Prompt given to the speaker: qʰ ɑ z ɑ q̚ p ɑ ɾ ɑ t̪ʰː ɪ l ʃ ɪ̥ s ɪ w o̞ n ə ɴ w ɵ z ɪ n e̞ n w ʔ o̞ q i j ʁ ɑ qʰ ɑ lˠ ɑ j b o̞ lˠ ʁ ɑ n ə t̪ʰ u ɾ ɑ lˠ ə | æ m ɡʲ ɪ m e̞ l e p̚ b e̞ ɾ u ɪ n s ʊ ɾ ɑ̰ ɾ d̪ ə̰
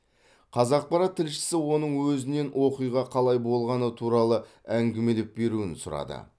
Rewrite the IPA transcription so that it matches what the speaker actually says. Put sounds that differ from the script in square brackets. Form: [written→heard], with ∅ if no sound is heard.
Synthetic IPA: qʰ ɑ z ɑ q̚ p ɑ ɾ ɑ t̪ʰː ɪ l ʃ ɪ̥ s ɪ w o̞ n ə ɴ w ɵ z ɪ n e̞ n w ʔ o̞ q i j ʁ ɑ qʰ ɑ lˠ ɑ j b o̞ lˠ ʁ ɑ n ə t̪ʰ u ɾ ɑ lˠ ə | æ [m→ŋ] ɡʲ ɪ m e̞ l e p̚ b e̞ ɾ u ɪ n s ʊ ɾ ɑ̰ [ɾ→∅] d̪ ə̰